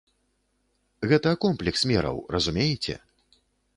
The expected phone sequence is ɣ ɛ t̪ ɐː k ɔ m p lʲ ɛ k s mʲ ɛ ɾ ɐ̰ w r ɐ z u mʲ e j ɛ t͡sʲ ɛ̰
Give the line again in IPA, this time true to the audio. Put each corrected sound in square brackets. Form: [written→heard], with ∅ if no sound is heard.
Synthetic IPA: ɣ ɛ t̪ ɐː k ɔ m p lʲ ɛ k s mʲ ɛ ɾ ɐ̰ w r ɐ z u mʲ e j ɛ t͡sʲ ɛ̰